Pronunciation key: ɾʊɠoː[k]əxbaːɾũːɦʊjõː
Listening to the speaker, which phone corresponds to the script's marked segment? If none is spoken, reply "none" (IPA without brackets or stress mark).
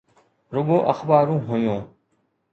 ʔ